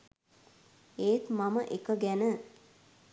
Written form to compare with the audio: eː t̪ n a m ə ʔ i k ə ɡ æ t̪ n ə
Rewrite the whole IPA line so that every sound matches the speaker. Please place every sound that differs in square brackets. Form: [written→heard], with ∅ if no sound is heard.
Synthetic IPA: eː t̪ [n→m] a m ə ʔ [i→e] k ə ɡ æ [t̪→∅] n ə